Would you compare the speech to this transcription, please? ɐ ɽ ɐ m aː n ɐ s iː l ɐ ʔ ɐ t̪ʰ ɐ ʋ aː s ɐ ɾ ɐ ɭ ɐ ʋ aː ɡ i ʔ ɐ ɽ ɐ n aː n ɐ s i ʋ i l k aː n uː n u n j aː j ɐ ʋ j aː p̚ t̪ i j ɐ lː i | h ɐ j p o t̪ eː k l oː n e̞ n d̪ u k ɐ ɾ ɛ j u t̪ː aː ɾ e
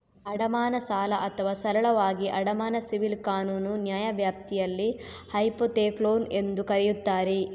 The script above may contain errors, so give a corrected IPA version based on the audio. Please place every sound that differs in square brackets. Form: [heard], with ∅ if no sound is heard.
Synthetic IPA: ɐ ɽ ɐ m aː n ɐ s [aː] l ɐ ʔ ɐ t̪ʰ ɐ ʋ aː s ɐ ɾ ɐ ɭ ɐ ʋ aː ɡ i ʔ ɐ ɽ ɐ [m] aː n ɐ s i ʋ i l k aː n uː n u n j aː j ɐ ʋ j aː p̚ t̪ i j ɐ lː i | h ɐ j p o t̪ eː k l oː n e̞ n d̪ u k ɐ ɾ ɛ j u t̪ː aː ɾ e